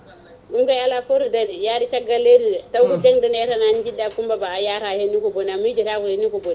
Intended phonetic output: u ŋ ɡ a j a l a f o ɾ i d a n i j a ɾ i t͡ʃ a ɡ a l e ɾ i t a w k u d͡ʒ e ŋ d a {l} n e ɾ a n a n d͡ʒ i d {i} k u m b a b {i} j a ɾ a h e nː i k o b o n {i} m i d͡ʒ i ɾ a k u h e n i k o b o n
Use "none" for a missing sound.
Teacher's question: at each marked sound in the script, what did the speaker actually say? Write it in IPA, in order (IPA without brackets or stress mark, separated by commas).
none, a, a, a